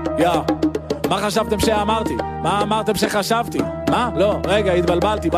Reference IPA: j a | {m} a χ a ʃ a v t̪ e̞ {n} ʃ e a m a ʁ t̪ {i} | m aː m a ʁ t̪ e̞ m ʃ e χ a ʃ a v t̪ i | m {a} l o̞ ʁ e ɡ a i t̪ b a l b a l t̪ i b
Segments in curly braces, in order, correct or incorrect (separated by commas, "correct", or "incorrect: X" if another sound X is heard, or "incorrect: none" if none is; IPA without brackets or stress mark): correct, incorrect: m, correct, correct